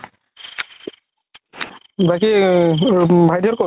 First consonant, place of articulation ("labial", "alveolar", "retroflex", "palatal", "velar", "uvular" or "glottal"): labial